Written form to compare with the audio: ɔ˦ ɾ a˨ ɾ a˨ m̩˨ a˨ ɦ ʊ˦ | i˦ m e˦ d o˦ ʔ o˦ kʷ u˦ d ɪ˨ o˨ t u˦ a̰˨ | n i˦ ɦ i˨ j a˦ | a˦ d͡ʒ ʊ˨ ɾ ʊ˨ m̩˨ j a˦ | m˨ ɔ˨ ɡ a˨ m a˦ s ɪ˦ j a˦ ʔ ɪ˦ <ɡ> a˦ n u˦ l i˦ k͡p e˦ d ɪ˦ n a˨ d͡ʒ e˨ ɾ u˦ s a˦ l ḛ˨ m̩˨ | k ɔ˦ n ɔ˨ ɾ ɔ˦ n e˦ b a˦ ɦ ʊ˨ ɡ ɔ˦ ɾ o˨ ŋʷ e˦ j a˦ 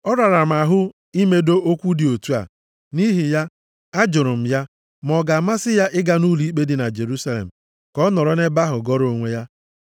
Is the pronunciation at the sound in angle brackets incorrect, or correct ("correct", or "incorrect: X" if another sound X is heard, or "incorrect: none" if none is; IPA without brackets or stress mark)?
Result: correct